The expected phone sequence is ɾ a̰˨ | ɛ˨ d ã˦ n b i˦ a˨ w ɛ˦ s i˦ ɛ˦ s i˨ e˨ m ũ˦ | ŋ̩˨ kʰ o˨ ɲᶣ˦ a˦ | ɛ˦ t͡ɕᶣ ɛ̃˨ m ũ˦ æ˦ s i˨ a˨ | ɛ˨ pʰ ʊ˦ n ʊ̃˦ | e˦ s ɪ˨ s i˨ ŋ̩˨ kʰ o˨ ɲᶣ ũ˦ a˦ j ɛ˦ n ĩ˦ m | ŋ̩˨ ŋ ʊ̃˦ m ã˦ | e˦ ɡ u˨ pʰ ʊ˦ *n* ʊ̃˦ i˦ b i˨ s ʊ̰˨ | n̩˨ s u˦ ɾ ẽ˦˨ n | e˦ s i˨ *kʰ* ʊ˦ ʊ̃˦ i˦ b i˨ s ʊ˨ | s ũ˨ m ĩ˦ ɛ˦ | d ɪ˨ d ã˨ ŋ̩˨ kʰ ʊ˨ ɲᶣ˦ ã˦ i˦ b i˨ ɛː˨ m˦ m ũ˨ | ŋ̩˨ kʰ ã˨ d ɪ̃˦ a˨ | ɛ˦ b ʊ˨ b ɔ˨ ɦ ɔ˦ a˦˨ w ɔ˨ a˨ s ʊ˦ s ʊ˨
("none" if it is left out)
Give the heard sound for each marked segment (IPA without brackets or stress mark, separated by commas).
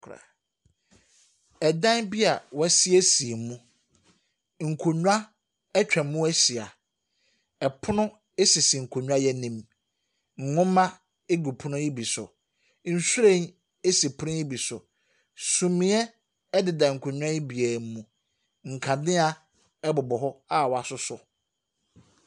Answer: n, pʰ